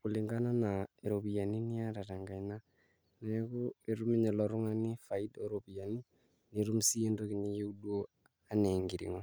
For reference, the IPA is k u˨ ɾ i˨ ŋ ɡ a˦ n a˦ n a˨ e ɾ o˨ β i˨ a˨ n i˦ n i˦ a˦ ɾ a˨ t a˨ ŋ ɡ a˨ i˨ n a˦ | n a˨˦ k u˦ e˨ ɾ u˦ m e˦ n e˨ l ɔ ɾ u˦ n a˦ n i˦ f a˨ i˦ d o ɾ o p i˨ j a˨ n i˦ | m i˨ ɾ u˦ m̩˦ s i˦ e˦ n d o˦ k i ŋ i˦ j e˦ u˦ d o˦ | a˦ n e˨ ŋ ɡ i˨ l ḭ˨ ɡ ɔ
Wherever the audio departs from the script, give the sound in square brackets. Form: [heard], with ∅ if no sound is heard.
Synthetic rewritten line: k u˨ [l] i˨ ŋ ɡ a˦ n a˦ n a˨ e ɾ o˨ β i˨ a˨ n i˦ n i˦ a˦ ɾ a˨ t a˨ ŋ ɡ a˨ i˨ n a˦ | n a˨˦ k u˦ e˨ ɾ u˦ m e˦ [ɲ] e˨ l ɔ ɾ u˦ [ŋ] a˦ n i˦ f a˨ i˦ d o ɾ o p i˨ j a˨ n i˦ | [n] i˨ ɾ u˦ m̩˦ s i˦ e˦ n d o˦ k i [ɲ] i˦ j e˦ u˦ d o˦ | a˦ n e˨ ŋ ɡ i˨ [ɾ] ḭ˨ [ŋ] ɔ